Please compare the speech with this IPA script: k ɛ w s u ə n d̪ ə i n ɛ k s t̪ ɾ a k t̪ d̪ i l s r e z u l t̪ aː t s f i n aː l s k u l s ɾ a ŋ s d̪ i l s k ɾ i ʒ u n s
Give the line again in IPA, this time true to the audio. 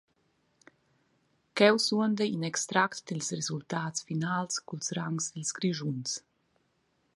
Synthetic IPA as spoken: k ɛ w s u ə n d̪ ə i n ɛ k s t̪ ɾ a k t̪ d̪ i l s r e z u l t̪ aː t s f i n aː l s k u l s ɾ a ŋ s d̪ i l s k ɾ i ʒ u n s